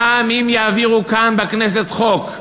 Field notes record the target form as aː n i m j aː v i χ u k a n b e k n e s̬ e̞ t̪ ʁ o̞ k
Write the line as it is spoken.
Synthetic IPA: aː m i m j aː v i ʁ u k a n b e k n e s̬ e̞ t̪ χ o̞ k